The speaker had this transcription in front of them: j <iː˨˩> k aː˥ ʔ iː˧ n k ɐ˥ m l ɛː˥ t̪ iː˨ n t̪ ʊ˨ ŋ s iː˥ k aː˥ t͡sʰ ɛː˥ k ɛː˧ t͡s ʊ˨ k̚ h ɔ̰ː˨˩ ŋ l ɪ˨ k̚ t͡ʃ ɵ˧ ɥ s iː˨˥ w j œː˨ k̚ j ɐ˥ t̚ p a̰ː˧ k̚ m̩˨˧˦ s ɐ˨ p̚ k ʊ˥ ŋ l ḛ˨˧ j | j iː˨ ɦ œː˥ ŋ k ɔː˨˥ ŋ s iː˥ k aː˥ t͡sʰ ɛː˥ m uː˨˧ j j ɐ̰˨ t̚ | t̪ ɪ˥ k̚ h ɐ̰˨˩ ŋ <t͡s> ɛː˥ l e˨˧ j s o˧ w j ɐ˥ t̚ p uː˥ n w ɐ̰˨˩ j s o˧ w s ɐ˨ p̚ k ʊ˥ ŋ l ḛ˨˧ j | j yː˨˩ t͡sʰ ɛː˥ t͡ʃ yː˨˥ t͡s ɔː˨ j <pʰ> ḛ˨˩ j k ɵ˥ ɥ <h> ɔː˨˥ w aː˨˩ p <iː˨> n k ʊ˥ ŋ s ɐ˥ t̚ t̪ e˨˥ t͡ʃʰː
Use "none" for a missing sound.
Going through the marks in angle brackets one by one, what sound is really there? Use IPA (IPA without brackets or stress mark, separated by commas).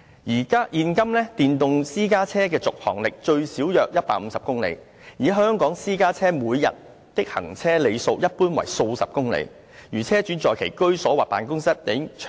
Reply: iː˨˩, t͡sʰ, kʰ, s, aː˨